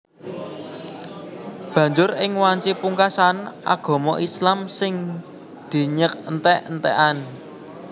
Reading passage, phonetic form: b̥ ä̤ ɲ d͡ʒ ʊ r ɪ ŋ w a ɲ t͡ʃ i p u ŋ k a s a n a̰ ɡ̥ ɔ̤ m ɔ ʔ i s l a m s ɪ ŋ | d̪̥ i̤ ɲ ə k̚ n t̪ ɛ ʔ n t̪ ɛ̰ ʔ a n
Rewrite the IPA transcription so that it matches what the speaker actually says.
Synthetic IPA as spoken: b̥ ä̤ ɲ d͡ʒ ʊ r ɪ ŋ w a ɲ t͡ʃ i p u ŋ k a s a n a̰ ɡ̥ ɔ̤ m ɔ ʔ i s l a m s ɪ ŋ | d̪̥ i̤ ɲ ə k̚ n t̪ ɛ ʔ n t̪ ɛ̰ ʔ a n